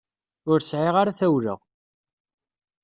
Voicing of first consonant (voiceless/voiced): voiced